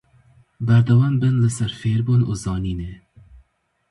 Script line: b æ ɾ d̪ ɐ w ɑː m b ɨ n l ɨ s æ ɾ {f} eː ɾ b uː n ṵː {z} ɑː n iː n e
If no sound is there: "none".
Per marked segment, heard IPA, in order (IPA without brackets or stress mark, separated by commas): f, z